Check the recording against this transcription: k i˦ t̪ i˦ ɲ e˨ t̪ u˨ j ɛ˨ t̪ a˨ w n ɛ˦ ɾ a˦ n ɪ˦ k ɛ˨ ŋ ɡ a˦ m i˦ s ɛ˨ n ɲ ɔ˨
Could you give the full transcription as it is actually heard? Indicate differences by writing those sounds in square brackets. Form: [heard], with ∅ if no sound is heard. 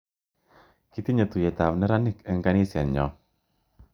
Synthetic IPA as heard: k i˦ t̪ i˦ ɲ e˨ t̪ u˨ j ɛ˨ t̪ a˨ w n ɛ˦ ɾ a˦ n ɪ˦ k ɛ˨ ŋ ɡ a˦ [n] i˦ s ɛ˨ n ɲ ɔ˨